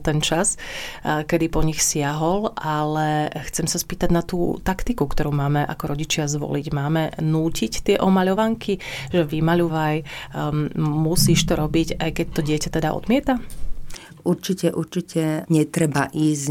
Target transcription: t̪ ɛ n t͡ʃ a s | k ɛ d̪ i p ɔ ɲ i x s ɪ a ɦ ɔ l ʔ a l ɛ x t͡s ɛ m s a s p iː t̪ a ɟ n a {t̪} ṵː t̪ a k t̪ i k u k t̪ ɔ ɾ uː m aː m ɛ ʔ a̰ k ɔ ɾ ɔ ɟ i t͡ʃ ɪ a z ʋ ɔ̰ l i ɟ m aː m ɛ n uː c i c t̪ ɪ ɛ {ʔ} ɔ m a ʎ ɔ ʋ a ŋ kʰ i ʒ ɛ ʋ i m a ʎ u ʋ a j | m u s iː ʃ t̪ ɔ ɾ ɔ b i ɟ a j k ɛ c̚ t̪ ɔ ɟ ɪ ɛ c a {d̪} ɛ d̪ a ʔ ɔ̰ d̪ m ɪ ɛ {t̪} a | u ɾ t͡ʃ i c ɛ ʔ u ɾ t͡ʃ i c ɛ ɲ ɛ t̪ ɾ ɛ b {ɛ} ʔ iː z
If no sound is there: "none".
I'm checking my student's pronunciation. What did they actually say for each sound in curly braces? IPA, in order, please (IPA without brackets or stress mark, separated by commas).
t̪, ʔ, t̪, t̪, a